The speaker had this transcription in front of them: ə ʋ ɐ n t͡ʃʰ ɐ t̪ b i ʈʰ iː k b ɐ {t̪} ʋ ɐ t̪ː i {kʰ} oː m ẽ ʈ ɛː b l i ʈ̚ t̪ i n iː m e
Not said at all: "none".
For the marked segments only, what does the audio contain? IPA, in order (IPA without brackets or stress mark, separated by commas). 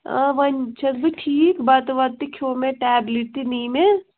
t̪, kʰ